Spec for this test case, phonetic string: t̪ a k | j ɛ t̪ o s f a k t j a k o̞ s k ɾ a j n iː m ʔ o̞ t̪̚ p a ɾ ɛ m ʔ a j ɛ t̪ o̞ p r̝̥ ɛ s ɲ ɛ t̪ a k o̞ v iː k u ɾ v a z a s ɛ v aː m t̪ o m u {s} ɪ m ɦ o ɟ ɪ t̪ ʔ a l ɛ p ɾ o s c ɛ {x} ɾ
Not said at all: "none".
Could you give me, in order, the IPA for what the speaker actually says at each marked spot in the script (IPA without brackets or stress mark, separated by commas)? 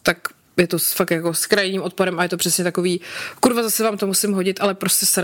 s, s